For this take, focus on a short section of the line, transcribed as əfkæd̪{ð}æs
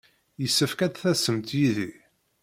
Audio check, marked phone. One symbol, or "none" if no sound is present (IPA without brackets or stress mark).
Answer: θ